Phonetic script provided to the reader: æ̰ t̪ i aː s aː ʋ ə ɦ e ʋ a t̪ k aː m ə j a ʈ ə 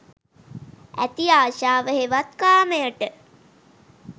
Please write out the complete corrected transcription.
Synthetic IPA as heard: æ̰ t̪ i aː ʃ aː ʋ ə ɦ e ʋ a t̪ k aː m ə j ə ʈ ə